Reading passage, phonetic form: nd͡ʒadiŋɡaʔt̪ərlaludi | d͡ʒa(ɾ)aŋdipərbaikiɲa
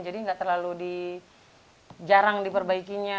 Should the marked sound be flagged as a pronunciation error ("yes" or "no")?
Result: no